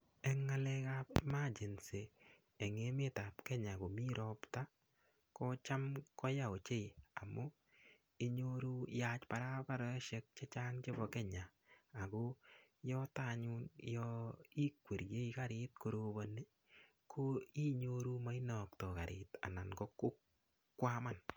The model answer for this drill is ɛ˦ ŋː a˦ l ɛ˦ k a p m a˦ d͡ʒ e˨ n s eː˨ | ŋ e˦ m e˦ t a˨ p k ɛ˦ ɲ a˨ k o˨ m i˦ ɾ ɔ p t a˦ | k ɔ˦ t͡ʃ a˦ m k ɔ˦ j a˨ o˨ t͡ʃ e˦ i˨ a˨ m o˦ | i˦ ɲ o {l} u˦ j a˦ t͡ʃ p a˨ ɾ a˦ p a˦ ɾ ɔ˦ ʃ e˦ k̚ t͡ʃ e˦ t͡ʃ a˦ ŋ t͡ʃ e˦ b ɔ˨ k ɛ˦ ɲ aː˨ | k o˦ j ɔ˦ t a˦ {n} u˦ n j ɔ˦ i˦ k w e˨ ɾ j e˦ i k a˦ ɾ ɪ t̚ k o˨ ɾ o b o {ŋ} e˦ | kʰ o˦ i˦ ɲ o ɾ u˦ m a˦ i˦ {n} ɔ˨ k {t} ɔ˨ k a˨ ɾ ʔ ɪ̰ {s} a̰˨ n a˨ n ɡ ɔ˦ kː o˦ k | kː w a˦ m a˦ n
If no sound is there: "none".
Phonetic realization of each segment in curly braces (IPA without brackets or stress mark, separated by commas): ɾ, ɲ, n, n, t, t